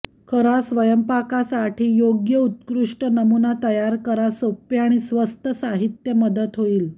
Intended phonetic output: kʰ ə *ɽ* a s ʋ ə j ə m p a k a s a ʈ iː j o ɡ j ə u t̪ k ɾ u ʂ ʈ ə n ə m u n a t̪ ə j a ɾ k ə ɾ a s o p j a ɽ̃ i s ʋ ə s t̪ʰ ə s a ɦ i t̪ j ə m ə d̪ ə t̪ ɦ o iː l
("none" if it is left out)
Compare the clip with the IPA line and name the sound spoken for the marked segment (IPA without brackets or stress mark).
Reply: ɾ